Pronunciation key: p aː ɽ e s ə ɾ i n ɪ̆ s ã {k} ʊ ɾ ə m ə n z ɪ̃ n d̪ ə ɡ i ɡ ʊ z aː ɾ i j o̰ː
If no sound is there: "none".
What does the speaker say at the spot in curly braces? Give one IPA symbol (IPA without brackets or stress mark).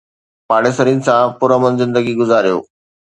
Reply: p